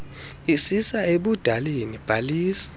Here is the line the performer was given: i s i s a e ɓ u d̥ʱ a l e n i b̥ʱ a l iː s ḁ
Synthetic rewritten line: i s i s a e ɓ u d̥ʱ a l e n i b̥ʱ a l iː s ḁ